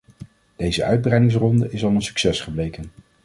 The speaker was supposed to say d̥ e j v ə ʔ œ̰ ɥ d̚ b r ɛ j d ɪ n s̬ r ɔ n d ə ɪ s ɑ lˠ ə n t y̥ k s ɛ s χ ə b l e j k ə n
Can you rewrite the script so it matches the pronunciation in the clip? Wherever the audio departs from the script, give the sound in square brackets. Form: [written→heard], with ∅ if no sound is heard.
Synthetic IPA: d̥ e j [v→z] ə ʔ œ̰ ɥ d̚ b r ɛ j d ɪ [n→ŋ] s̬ r ɔ n d ə ɪ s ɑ lˠ ə n [t→s] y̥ k s ɛ s χ ə b l e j k ə n